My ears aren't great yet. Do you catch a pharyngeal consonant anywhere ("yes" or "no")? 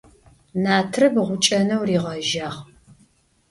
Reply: no